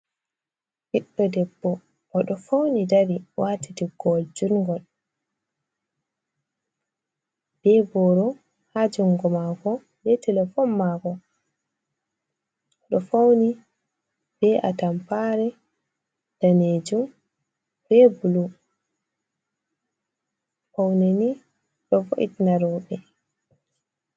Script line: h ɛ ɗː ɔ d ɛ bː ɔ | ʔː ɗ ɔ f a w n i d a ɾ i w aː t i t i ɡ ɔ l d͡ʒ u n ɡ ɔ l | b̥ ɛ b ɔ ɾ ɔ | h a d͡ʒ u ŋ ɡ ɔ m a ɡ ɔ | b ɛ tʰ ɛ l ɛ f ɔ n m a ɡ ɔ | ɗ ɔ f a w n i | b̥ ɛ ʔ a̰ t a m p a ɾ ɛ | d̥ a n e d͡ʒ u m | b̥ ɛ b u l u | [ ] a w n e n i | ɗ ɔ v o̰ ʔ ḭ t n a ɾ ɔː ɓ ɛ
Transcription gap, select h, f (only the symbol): f